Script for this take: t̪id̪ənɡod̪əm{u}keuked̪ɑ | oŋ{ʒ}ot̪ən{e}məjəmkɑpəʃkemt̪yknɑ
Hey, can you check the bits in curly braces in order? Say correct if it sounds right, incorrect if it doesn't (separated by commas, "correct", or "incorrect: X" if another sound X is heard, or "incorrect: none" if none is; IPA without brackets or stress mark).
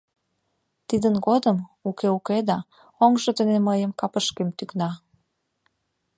correct, correct, correct